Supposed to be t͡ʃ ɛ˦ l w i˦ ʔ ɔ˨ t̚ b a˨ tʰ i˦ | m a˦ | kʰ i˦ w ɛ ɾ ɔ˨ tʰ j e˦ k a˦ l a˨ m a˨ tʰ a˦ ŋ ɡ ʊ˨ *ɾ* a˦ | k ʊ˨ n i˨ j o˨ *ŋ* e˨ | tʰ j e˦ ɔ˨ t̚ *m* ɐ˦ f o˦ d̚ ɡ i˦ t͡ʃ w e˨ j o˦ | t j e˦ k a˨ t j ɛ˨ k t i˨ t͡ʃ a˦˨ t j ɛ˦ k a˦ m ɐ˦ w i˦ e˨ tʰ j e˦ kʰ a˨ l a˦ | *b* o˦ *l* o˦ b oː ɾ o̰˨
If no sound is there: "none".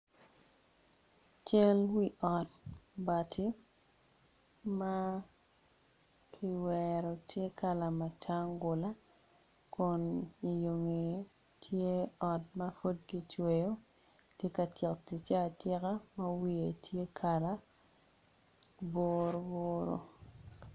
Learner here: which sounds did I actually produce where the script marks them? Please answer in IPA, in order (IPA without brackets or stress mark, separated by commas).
l, ŋ, m, b, ɾ